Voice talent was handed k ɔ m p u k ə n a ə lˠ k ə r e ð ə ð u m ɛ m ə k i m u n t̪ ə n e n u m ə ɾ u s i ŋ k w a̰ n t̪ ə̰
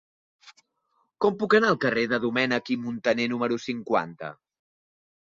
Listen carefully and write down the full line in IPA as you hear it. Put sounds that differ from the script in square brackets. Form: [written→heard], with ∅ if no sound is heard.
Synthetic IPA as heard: k ɔ m p u k ə n a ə lˠ k ə r e ð ə ð u m ɛ [m→n] ə k i m u n t̪ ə n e n u m ə ɾ u s i ŋ k w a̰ n t̪ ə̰